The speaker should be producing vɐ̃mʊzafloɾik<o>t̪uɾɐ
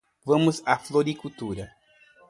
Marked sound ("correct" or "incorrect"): incorrect